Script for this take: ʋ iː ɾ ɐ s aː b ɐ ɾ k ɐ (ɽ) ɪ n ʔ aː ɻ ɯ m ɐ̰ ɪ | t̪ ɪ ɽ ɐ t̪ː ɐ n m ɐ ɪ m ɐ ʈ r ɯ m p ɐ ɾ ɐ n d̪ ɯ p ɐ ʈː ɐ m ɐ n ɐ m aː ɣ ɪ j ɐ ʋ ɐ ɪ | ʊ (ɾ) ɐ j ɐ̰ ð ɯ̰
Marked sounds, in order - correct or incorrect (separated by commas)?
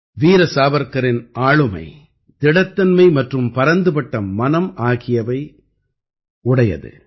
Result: incorrect, incorrect